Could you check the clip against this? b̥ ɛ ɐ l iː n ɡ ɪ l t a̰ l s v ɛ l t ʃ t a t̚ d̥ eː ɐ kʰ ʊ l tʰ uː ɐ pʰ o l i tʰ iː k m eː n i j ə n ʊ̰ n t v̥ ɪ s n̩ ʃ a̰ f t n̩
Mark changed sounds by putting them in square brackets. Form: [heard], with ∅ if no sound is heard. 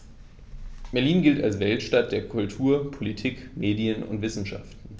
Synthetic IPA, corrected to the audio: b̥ ɛ ɐ l iː n ɡ ɪ l t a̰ l s v ɛ l t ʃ t a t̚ d̥ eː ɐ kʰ ʊ l tʰ uː ɐ pʰ o l i tʰ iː k m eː [d] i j ə n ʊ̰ n t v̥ ɪ s n̩ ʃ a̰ f t n̩